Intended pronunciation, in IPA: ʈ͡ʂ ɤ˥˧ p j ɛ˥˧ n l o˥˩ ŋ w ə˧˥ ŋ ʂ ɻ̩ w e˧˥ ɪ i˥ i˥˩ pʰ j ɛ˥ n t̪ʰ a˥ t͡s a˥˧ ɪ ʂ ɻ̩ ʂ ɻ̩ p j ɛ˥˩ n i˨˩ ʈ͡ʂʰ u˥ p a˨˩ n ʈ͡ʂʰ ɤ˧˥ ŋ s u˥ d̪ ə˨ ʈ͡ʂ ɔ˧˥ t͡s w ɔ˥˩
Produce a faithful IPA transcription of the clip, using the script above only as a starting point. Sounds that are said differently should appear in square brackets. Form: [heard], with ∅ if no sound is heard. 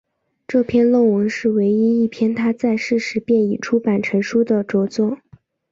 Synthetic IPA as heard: ʈ͡ʂ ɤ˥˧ [pʰ] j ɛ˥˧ n l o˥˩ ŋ w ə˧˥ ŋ ʂ ɻ̩ w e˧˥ ɪ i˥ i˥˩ pʰ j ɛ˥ n t̪ʰ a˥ t͡s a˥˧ ɪ ʂ ɻ̩ ʂ ɻ̩ p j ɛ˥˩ n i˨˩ ʈ͡ʂʰ u˥ p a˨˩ n ʈ͡ʂʰ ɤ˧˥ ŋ [ʂ] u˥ d̪ ə˨ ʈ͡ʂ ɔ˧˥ t͡s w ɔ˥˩